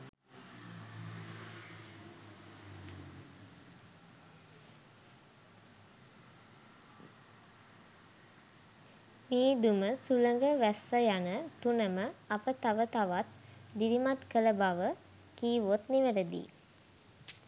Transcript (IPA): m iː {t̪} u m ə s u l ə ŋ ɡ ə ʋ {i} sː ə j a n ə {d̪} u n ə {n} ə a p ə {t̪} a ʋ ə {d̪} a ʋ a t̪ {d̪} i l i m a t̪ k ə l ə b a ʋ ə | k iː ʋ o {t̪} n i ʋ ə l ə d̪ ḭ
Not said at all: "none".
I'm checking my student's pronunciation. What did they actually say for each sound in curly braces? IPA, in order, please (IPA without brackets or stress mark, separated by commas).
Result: d̪, æ, t̪, m, t̪, t̪, d̪, t̪